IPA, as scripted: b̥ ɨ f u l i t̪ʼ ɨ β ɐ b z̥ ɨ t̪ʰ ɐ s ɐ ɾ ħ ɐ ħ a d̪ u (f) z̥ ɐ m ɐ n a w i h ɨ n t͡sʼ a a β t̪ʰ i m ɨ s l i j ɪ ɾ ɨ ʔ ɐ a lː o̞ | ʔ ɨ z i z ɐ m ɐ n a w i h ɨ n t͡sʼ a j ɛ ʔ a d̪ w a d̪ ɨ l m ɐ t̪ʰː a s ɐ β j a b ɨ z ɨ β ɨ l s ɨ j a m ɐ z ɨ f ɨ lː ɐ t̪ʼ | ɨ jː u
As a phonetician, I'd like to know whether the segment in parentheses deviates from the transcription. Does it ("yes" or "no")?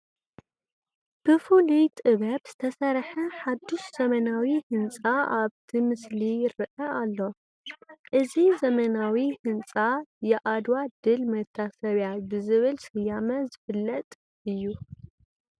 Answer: yes